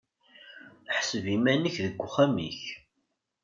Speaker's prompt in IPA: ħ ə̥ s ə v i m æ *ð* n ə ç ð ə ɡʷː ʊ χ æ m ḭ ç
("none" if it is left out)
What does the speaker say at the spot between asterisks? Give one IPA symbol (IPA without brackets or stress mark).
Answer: none